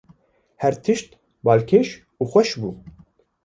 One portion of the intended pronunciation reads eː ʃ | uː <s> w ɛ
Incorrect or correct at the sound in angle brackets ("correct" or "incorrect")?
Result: incorrect